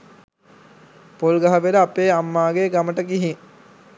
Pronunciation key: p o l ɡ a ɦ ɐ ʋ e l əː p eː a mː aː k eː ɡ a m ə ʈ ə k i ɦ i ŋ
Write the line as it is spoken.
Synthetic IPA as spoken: p o l ɡ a ɦ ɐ ʋ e l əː p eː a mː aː ɡ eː ɡ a m ə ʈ ə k i ɦ i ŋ